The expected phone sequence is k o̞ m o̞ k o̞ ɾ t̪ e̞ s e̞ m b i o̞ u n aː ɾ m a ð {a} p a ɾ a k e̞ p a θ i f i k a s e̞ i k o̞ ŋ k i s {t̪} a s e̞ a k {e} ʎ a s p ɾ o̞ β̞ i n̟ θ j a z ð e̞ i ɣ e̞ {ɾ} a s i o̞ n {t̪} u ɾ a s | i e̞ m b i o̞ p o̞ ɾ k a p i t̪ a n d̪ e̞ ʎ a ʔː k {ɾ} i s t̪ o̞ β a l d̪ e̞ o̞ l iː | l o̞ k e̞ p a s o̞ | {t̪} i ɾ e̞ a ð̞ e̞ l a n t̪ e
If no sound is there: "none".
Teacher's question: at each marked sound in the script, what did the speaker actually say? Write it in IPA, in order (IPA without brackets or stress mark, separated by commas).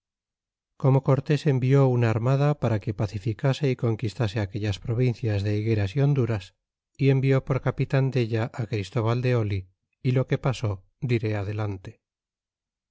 a, t̪, e, ɾ, d̪, ɾ, d̪